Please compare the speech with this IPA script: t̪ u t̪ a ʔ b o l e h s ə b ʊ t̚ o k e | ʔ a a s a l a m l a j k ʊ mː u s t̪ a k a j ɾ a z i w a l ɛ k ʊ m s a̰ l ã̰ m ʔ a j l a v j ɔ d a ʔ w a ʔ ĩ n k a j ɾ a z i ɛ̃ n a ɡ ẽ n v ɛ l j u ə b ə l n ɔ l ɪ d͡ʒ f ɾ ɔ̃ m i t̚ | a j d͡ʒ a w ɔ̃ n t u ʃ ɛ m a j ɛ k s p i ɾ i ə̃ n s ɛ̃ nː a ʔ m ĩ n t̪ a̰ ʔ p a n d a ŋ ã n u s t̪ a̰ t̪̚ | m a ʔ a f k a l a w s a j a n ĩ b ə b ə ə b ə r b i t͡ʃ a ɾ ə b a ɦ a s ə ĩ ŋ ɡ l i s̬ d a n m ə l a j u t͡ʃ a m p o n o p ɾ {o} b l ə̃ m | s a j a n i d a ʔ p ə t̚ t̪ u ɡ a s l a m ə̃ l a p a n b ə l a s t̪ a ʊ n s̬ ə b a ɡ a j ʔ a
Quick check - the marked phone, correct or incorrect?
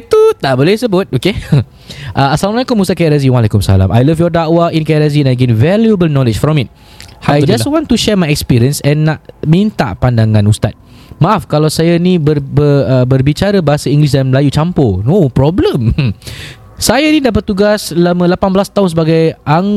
incorrect